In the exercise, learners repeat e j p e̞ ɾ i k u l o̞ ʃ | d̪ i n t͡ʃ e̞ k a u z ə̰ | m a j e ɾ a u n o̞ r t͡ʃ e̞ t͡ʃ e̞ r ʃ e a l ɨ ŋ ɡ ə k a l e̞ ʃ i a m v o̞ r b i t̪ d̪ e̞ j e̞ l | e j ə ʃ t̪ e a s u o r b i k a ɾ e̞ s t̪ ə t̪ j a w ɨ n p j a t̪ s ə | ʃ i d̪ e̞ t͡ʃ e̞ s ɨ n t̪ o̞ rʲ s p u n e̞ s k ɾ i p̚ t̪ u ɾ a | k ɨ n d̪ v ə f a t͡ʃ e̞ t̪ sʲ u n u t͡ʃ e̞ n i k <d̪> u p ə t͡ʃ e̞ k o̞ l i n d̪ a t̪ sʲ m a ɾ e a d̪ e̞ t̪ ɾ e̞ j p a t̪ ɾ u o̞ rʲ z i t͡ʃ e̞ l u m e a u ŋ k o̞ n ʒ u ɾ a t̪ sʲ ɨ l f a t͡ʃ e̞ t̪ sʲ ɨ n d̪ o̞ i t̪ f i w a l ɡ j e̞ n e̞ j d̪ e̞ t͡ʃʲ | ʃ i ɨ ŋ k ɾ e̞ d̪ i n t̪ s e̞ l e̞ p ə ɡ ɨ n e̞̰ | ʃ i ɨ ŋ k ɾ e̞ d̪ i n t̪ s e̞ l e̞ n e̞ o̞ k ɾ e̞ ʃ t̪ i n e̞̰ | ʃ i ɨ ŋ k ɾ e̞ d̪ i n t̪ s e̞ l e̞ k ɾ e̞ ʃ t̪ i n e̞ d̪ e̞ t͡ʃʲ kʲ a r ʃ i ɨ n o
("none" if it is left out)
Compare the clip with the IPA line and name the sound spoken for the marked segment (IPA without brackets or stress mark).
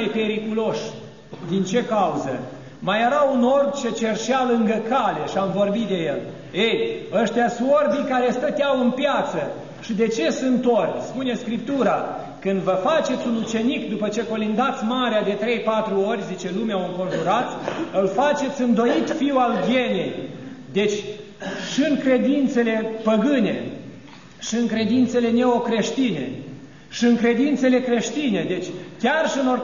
d̪